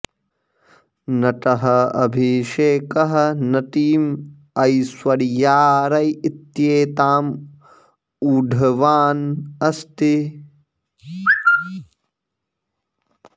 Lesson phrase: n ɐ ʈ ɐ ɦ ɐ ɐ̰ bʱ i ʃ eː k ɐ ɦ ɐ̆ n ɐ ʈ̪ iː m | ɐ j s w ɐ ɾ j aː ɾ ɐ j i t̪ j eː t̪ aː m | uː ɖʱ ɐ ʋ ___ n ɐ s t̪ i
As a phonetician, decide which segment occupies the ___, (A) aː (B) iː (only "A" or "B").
A